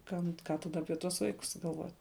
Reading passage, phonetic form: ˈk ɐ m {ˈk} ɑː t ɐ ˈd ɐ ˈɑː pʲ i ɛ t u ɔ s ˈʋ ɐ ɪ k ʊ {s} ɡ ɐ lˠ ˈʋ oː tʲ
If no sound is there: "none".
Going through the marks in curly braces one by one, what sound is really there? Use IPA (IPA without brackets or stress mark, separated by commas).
k, s